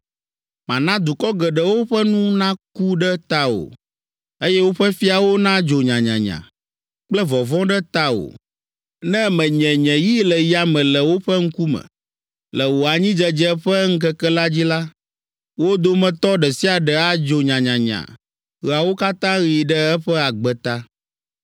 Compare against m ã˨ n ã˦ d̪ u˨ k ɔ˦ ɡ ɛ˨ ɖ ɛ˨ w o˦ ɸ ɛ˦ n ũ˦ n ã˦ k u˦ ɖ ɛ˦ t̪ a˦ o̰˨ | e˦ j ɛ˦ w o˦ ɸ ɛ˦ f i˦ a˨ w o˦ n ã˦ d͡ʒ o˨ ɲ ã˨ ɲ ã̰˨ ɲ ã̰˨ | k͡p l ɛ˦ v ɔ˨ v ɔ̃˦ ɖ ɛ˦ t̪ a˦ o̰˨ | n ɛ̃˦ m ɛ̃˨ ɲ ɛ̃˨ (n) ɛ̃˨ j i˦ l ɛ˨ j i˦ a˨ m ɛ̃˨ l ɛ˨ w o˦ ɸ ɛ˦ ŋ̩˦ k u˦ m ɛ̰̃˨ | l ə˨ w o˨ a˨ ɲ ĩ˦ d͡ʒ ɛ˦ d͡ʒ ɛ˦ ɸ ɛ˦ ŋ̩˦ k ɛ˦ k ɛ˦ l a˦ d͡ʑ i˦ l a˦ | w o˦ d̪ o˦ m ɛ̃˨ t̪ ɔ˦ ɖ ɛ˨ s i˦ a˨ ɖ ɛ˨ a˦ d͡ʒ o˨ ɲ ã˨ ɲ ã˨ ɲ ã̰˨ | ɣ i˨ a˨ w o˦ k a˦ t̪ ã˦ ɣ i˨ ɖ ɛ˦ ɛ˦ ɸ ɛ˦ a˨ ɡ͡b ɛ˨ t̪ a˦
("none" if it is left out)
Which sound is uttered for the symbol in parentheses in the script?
ɲ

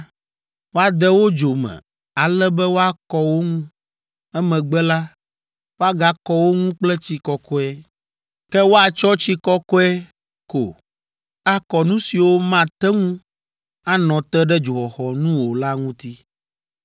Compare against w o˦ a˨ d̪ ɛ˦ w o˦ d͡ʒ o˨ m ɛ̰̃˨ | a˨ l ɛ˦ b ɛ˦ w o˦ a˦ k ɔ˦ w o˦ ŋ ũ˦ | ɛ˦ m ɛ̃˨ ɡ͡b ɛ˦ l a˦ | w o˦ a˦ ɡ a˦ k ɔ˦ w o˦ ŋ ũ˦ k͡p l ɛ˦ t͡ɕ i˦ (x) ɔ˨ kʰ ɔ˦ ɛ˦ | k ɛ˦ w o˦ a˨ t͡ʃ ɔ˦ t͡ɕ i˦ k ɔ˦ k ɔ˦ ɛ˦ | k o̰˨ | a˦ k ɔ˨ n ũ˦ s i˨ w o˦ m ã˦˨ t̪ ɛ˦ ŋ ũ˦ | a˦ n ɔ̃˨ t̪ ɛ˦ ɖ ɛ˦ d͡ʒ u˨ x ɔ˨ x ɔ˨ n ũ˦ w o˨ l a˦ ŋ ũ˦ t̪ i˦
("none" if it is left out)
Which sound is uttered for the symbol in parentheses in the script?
k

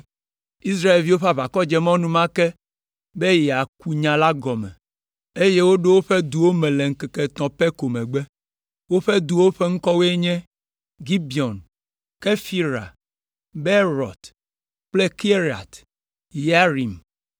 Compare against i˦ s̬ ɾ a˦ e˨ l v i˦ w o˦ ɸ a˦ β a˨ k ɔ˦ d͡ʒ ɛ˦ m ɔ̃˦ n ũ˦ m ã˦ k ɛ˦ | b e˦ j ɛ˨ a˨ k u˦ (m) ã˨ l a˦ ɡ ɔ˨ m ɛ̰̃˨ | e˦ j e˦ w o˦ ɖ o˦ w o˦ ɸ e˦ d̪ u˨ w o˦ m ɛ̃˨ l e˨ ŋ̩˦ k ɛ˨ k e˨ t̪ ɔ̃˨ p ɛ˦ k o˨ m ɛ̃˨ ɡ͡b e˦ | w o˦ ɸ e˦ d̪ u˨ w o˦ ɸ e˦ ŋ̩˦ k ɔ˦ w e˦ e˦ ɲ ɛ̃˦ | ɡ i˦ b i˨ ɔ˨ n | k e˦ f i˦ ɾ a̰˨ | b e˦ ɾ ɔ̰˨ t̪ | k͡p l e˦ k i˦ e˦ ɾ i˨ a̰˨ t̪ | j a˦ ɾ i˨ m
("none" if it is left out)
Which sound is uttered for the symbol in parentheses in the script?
ɲ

